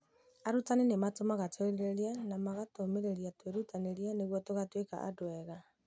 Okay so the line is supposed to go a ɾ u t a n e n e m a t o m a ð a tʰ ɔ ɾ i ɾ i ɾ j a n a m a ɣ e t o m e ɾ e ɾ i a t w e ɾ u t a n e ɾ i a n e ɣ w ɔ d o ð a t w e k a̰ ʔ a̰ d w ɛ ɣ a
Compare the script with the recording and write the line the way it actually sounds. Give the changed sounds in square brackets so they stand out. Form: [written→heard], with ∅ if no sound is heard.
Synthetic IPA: a ɾ u t a n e n e m a t o m a [ð→ɣ] a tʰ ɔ ɾ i ɾ [i→e] ɾ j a n a m a ɣ [e→a] t o m e ɾ e ɾ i a t w e ɾ u t a n e ɾ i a n e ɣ w ɔ [d→t] o [ð→ɣ] a t w e k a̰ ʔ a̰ d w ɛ ɣ a